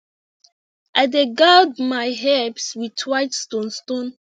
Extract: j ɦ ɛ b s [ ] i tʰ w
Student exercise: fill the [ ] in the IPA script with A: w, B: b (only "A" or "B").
A